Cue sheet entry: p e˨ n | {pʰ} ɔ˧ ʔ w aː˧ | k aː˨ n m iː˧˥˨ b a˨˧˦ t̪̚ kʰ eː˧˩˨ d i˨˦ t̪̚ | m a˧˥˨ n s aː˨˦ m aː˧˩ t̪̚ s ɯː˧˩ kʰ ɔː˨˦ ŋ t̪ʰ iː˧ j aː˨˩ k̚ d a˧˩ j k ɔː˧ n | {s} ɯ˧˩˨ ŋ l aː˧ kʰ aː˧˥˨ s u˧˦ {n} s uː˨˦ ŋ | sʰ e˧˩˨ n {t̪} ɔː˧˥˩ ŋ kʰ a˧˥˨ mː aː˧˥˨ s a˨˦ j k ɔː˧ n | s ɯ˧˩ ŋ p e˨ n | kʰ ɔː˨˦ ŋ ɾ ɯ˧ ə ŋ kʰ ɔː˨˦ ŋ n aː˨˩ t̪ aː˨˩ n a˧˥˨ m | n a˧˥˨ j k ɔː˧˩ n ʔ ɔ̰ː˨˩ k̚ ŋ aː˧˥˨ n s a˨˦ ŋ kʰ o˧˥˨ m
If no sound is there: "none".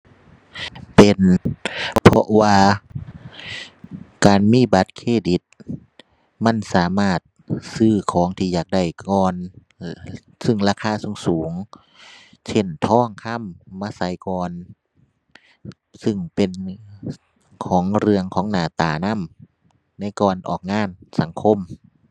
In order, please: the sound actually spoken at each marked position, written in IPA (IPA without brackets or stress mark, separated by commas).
pʰ, s, ŋ, t̪ʰ